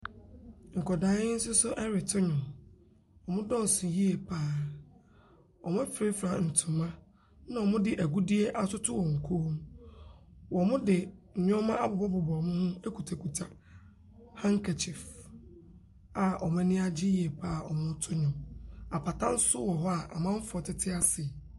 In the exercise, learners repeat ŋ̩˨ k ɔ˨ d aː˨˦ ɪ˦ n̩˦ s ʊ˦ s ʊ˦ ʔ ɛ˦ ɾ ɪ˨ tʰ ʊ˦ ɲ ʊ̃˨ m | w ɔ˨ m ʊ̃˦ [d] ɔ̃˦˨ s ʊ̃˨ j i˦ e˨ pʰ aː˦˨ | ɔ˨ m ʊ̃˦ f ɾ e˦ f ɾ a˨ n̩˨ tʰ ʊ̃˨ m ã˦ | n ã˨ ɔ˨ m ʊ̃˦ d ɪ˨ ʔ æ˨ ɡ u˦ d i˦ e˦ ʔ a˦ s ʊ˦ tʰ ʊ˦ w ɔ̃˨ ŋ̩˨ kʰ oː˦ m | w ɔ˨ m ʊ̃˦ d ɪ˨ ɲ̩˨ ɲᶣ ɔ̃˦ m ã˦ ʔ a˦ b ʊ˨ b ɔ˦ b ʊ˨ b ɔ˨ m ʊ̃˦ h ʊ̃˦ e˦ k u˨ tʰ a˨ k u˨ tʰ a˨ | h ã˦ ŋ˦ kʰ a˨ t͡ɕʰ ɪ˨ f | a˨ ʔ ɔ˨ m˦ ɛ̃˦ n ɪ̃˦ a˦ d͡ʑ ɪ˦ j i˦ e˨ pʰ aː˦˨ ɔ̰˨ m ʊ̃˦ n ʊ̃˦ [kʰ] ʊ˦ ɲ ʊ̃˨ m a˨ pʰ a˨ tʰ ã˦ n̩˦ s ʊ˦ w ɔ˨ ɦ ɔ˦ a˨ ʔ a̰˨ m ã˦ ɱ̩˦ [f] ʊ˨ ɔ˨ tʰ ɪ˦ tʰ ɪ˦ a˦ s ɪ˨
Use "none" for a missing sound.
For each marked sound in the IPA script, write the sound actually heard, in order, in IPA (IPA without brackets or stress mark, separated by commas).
d, tʰ, f